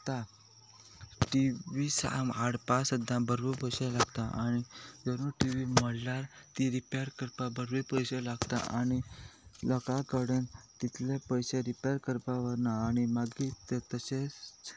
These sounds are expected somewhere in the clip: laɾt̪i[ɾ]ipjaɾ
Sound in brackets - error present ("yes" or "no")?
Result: no